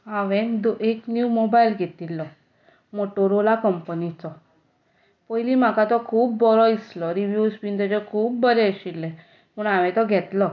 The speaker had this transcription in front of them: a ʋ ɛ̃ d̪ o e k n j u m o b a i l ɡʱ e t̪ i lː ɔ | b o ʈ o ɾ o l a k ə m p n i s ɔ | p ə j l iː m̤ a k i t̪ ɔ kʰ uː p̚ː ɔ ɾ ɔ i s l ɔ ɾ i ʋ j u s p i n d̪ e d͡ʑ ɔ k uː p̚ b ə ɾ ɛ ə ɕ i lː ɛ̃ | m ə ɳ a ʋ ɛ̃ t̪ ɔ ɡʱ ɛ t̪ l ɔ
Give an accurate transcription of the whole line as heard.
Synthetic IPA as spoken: a ʋ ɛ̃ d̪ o e k n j u m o b a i l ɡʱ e t̪ i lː ɔ | m o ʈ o ɾ o l a k ə m p n i t͡s ɔ | p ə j l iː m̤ a k a t̪ ɔ kʰ uː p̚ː ɔ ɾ ɔ i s l ɔ ɾ i ʋ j u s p i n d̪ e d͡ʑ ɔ kʰ uː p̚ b ə ɾ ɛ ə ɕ i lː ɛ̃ | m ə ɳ a ʋ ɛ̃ t̪ ɔ ɡʱ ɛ t̪ l ɔ